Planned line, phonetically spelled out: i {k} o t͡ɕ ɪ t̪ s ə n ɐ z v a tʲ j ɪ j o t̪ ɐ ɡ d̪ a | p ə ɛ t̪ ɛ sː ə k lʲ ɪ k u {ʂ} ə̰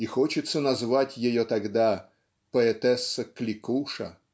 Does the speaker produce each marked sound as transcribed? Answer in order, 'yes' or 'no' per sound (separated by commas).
no, yes